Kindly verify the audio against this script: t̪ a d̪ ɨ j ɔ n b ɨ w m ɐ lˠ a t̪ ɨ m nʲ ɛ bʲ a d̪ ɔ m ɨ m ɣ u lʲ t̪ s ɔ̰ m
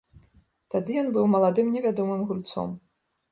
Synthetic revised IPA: t̪ a d̪ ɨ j ɔ n b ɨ w m ɐ lˠ a d̪ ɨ m nʲ ɛ vʲ a d̪ ɔ m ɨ m ɣ u lʲ t̪ s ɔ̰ m